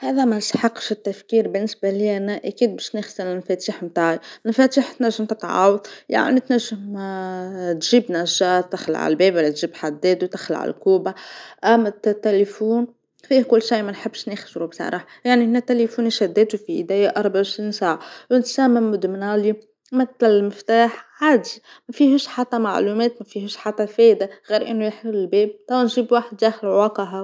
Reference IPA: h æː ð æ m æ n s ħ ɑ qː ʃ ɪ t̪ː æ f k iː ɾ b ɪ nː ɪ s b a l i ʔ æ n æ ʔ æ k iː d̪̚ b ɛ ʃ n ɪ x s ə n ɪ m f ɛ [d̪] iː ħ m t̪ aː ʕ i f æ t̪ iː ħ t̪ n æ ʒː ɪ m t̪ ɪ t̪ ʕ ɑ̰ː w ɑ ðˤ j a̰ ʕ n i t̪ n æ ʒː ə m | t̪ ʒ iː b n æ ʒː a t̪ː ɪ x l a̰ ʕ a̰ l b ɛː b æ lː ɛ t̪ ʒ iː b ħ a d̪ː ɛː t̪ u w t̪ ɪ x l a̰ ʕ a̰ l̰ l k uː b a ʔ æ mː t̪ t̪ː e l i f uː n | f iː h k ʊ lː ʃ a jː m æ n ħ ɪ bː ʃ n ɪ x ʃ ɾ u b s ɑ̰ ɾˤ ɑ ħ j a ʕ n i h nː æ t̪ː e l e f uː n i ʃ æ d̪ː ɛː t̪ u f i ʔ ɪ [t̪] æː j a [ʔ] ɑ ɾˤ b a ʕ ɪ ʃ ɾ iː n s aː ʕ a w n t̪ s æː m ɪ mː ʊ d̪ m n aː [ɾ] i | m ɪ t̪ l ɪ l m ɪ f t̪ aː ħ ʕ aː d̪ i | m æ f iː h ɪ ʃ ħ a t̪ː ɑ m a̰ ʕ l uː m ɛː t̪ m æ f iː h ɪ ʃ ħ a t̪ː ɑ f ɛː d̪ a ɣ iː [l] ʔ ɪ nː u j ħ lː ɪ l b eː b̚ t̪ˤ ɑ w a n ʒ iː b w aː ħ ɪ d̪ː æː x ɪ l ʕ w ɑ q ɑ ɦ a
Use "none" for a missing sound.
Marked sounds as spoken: t̪, d̪, ʔ, l, ɾ

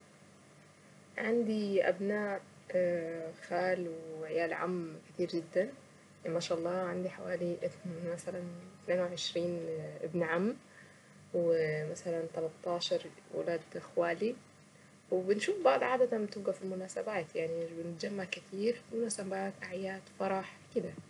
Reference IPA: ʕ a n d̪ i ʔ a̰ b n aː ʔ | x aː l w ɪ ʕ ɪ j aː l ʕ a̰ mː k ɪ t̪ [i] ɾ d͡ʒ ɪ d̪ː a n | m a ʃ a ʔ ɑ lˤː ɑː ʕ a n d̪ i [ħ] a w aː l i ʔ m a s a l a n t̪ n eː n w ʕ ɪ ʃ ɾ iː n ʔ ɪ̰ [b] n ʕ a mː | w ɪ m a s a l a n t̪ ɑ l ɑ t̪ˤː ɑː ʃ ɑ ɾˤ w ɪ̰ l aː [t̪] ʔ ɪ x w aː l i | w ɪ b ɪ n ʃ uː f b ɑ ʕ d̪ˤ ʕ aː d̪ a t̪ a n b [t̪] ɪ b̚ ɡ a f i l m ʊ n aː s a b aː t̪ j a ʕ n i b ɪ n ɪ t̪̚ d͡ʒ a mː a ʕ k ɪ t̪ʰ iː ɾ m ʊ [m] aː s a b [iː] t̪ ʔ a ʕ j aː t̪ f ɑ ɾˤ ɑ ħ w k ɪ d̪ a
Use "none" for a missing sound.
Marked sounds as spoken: iː, ħ, b, d̪, t̪, n, aː

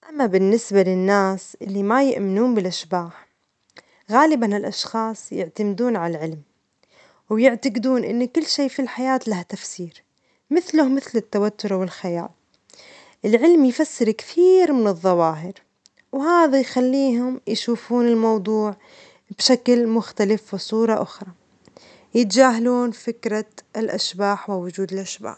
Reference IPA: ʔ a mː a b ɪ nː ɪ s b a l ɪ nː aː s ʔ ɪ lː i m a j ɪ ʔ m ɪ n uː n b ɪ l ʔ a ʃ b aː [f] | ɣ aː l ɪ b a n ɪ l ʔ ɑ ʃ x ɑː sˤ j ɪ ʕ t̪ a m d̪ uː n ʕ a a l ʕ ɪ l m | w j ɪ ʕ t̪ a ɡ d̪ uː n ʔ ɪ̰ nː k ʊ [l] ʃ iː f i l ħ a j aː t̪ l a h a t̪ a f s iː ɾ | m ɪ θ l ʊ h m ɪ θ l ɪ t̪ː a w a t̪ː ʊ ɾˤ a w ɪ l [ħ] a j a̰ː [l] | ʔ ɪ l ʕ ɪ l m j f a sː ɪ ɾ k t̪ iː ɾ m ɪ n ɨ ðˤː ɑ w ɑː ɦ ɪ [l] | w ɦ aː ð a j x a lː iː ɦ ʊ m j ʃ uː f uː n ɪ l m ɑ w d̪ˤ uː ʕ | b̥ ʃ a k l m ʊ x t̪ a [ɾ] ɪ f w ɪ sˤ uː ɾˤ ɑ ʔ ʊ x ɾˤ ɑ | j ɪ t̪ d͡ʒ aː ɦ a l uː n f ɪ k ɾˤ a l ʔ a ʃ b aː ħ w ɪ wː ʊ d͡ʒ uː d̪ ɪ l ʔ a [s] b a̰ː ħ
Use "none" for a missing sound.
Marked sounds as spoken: ħ, lː, x, l, ɾ, l, ʃ

